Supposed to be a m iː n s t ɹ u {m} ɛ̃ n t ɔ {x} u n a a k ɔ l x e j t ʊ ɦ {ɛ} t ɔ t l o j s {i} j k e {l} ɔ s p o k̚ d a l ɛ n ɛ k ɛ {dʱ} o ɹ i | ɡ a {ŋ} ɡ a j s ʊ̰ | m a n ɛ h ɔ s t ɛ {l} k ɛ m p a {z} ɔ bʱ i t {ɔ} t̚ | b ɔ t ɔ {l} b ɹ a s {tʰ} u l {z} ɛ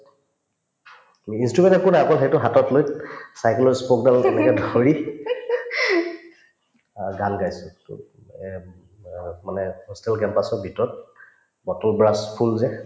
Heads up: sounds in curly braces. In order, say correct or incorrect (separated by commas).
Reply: correct, incorrect, incorrect, incorrect, correct, correct, incorrect, correct, incorrect, correct, correct, incorrect, correct